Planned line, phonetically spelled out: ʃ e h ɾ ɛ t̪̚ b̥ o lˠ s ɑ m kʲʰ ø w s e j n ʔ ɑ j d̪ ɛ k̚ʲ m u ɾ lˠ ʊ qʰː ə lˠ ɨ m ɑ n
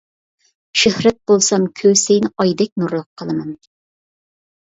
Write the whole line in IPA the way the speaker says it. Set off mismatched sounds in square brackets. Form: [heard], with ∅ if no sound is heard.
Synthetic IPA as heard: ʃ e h ɾ ɛ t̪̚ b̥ o lˠ s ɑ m kʲʰ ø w s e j n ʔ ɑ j d̪ ɛ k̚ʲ [n] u ɾ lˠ ʊ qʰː ə lˠ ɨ m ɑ n